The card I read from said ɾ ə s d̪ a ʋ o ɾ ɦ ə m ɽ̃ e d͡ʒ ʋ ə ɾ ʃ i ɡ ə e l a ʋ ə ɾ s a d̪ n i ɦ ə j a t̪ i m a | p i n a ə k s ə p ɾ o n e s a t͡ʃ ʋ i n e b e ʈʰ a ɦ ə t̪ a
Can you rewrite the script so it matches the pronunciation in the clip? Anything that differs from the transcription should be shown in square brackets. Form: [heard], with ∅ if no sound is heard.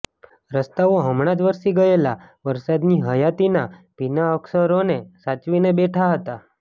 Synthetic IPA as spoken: ɾ ə s [t̪] a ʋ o [∅] ɦ ə m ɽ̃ [a] d͡ʒ ʋ ə ɾ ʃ i ɡ ə e l a ʋ ə ɾ s a d̪ n i ɦ ə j a t̪ i [n] a | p i n a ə k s ə [∅] ɾ o n e s a t͡ʃ ʋ i n e b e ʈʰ a ɦ ə t̪ a